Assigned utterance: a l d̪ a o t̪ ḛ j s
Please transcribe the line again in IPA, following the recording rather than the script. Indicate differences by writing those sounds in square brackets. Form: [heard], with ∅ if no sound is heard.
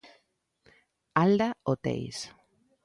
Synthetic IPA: a l d̪ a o t̪ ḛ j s